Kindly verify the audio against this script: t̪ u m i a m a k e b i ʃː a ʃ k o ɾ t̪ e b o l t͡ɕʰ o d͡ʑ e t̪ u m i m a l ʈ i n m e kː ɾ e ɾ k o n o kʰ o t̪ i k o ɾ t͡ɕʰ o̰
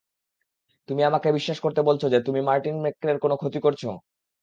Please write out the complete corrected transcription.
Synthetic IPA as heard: t̪ u m i a m a k e b i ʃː a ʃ k o ɾ t̪ e b o l t͡ɕʰ o d͡ʑ e t̪ u m i m a ɾ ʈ i n m e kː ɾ e ɾ k o n o kʰ o t̪ i k o ɾ t͡ɕʰ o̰